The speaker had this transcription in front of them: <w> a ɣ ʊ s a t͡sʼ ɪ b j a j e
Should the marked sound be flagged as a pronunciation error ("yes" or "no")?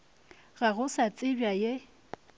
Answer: yes